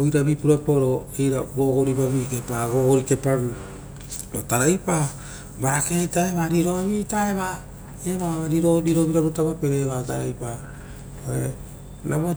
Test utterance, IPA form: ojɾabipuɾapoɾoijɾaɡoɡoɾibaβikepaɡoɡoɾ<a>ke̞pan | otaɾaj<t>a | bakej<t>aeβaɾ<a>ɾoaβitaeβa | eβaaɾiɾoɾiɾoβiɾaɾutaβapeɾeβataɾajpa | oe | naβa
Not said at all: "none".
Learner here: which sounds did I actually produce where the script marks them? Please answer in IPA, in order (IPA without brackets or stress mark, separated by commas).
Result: i, p, t, i